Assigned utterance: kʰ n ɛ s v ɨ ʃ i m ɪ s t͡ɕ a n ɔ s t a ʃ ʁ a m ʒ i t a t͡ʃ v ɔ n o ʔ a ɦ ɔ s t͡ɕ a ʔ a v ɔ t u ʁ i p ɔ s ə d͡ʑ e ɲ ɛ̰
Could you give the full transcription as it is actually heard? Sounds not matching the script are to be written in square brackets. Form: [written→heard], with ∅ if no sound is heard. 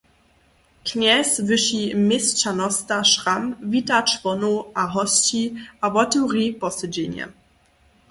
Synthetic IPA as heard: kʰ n ɛ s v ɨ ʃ i m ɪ s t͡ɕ a n ɔ s t a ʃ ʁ a m [ʒ→v] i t a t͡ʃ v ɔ n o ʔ a ɦ ɔ s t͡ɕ [a→i] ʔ a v ɔ t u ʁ i p ɔ s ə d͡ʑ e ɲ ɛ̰

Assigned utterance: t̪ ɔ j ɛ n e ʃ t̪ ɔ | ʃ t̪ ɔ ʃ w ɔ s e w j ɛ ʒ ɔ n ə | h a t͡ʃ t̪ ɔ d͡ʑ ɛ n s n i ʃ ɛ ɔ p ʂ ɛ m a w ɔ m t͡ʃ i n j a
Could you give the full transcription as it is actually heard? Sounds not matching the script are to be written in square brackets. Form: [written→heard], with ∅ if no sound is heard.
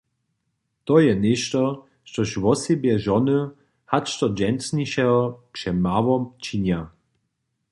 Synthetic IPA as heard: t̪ ɔ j ɛ n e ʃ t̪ ɔ | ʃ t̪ ɔ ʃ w ɔ s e [w→b] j ɛ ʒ ɔ n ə | h a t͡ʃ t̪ ɔ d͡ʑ ɛ n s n i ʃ ɛ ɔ p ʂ ɛ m a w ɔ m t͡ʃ i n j a

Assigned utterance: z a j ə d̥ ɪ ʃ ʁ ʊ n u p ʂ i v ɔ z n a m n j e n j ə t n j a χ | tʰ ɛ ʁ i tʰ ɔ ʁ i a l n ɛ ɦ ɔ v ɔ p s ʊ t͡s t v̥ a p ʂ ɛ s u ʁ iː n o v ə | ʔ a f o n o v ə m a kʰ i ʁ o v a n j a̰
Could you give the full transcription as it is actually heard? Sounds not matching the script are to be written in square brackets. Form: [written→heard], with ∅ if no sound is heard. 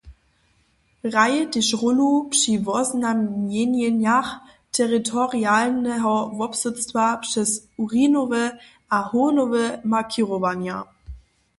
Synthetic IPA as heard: [z→ʁ] a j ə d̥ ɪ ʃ ʁ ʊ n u p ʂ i v ɔ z n a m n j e n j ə [t→∅] n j a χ | tʰ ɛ ʁ i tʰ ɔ ʁ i a l n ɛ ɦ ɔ v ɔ p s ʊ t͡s t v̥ a p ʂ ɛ s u ʁ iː n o v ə | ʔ a [f→h] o n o v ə m a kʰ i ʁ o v a n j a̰

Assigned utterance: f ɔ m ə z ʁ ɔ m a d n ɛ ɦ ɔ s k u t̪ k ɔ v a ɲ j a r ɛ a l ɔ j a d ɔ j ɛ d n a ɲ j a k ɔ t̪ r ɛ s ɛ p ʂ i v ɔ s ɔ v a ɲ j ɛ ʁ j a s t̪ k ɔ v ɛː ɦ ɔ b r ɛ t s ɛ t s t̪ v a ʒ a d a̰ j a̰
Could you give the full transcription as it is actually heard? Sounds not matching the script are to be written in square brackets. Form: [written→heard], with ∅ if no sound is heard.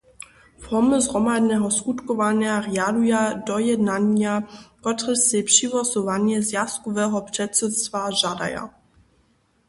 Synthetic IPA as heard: f ɔ m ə z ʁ ɔ m a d n ɛ ɦ ɔ s k u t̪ k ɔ v a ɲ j a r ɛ a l [ɔ→u] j a d ɔ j ɛ d n a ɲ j a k ɔ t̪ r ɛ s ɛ p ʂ i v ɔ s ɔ v a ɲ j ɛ [ʁ→z] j a s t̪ k ɔ v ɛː ɦ ɔ [b→p] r ɛ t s ɛ t s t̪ v a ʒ a d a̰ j a̰

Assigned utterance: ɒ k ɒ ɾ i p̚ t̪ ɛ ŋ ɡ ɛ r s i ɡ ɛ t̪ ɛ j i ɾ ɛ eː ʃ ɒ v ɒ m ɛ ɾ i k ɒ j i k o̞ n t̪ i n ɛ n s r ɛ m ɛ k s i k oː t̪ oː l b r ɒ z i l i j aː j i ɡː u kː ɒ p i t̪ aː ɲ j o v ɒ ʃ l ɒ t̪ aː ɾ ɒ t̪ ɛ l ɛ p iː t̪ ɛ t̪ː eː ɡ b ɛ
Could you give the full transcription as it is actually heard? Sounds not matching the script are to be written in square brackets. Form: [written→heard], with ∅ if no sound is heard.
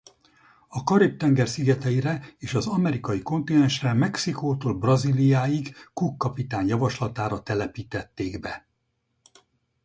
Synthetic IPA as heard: ɒ k ɒ ɾ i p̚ t̪ ɛ ŋ ɡ ɛ r s i ɡ ɛ t̪ ɛ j i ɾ ɛ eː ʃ ɒ [v→z] ɒ m ɛ ɾ i k ɒ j i k o̞ n t̪ i n ɛ n [s→ʃ] r ɛ m ɛ k s i k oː t̪ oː l b r ɒ z i l i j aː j i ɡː u kː ɒ p i t̪ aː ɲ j [o→ɒ] v ɒ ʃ l ɒ t̪ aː ɾ ɒ t̪ ɛ l ɛ p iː t̪ ɛ t̪ː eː ɡ b ɛ

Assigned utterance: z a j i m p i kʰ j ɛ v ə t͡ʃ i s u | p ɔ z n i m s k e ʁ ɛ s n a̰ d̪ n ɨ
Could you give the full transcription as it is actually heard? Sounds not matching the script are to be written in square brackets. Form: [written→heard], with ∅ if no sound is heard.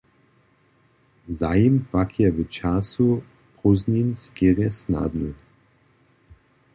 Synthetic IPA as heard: z a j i m p [i→a] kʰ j ɛ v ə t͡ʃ [i→a] s u | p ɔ z n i [m→n] s k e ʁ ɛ s n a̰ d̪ n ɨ

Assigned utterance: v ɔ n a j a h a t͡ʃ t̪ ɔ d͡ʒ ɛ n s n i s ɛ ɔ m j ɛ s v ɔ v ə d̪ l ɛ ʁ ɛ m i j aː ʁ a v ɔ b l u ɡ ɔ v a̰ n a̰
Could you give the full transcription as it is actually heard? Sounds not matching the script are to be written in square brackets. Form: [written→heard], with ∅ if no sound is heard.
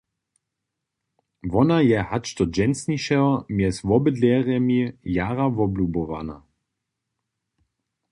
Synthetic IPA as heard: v ɔ n a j [a→ɛ] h a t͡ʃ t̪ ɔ d͡ʒ ɛ n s n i [s→ʃ] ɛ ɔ m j ɛ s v ɔ [v→b] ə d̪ l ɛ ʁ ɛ m i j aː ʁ a v ɔ b l u [ɡ→b] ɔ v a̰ n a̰

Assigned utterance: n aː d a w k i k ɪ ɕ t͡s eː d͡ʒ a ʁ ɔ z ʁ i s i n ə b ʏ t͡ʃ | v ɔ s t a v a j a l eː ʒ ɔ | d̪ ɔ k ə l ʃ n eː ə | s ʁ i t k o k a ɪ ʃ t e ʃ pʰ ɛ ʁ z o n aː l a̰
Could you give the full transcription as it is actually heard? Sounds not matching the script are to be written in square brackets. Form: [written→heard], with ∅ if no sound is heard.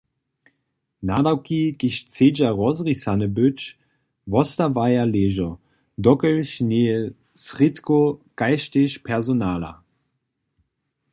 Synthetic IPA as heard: n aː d a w k i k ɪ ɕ t͡s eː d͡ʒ a ʁ ɔ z ʁ i s [i→a] n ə b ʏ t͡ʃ | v ɔ s t a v a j a l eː ʒ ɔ | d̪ ɔ k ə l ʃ n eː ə | s ʁ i t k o k a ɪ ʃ t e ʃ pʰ ɛ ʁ z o n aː l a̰

